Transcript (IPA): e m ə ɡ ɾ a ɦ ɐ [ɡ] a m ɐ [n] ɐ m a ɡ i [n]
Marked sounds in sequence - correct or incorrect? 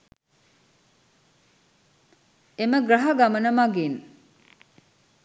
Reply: correct, correct, correct

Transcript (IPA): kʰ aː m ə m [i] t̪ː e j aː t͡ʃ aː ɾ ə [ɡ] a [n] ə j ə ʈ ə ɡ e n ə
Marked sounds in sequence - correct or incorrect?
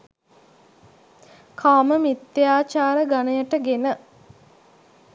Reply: correct, correct, correct

